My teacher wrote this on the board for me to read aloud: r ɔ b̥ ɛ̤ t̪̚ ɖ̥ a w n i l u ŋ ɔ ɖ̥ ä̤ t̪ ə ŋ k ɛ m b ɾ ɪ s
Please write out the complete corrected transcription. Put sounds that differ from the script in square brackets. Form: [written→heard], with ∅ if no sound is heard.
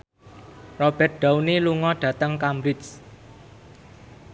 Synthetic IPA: r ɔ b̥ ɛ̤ t̪̚ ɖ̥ a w n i l u ŋ ɔ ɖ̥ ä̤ t̪ ə ŋ k [ɛ→a] m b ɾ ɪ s